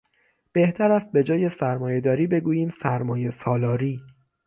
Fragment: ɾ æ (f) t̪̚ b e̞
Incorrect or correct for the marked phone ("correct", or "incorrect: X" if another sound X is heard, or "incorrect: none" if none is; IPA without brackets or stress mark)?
incorrect: s